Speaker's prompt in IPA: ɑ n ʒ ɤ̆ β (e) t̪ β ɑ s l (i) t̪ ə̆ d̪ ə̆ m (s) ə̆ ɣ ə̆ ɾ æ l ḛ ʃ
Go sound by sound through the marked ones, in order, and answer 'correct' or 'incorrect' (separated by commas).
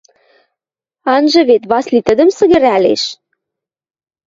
correct, correct, correct